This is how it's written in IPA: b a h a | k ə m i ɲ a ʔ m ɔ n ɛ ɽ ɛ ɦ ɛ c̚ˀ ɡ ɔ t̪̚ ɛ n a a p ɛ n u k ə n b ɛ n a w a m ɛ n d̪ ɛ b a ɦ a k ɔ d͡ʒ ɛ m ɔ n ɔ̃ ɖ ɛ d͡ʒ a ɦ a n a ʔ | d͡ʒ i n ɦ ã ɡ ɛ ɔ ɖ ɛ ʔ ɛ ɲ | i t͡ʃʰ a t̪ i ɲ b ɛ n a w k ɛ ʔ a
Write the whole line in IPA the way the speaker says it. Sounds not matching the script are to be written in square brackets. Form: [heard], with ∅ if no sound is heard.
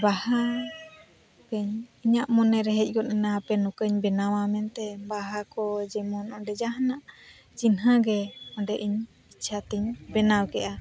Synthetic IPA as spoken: b a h a | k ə [ɲ] i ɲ a ʔ m ɔ n ɛ [ɾ] ɛ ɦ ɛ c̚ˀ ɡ ɔ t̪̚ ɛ n a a p ɛ n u k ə [ɲ] b ɛ n a w a m ɛ n [t̪] ɛ b a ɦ a k ɔ d͡ʒ ɛ m ɔ n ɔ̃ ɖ ɛ d͡ʒ a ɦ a n a ʔ | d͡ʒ i n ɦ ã ɡ ɛ ɔ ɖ ɛ ʔ [i] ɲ | i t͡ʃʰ a t̪ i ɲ b ɛ n a w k ɛ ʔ a